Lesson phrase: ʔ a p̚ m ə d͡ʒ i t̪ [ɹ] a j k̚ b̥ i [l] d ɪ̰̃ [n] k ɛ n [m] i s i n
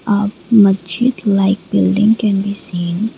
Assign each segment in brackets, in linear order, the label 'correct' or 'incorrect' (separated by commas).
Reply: incorrect, correct, incorrect, incorrect